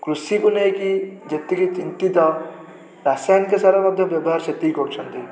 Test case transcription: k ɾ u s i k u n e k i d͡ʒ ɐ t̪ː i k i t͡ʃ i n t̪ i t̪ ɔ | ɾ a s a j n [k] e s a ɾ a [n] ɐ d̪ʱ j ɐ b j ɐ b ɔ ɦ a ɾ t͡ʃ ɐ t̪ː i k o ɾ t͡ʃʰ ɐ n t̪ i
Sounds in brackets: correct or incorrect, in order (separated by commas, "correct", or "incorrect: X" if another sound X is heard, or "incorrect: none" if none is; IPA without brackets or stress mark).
correct, incorrect: m